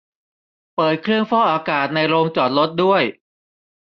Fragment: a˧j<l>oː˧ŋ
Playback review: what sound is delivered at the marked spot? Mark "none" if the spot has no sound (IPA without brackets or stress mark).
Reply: ɾ